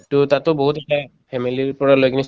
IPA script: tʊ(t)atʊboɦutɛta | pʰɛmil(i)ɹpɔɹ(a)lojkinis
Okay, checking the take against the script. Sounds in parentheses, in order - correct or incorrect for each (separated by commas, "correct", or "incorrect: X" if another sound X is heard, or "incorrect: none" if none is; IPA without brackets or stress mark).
correct, correct, correct